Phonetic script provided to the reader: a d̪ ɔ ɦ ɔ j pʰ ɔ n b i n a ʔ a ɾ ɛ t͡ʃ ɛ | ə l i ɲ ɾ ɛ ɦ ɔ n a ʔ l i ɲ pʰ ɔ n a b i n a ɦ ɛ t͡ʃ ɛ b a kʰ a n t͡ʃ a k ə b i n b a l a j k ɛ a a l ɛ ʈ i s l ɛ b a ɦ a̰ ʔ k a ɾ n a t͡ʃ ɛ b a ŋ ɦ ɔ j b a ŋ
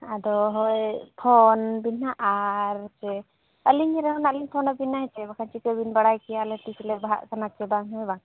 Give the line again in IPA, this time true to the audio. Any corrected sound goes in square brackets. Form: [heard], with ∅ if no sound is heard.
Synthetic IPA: a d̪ ɔ ɦ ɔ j pʰ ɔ n b i n a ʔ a ɾ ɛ t͡ʃ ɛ | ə l i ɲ ɾ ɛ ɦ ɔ n a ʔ l i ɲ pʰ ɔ n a b i n a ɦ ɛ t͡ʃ ɛ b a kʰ a n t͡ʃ [i] k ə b i n b a [ɽ] a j k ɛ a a l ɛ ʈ i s l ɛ b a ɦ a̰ ʔ k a [∅] n a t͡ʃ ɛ b a ŋ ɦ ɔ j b a ŋ